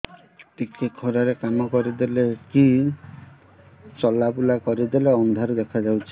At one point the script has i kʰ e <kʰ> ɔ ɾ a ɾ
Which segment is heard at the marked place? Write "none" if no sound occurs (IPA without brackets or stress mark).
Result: kʰ